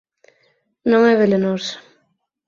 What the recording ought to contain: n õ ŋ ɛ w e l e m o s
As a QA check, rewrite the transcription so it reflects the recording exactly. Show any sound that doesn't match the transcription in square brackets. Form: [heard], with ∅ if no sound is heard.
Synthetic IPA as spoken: n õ ŋ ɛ [β] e l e [n] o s